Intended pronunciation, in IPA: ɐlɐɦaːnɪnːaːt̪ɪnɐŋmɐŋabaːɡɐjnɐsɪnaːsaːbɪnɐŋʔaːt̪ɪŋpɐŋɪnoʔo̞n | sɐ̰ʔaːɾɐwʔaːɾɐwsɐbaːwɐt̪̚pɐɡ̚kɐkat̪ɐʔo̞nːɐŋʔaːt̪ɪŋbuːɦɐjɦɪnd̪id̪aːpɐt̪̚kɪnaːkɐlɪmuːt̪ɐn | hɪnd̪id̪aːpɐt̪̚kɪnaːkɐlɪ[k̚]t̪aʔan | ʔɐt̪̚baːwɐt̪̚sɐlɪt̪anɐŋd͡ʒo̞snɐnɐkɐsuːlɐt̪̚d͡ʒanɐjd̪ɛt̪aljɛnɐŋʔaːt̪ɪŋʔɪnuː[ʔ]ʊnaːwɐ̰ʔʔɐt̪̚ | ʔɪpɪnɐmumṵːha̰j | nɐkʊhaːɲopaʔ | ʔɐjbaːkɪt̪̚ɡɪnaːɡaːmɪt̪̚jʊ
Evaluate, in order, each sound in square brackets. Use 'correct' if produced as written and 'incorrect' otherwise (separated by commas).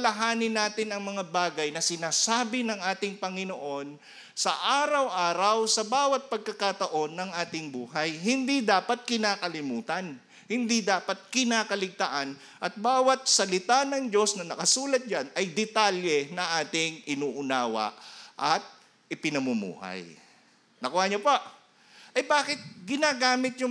incorrect, correct